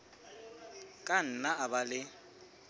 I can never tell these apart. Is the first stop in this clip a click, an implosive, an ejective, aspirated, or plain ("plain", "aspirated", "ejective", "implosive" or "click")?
ejective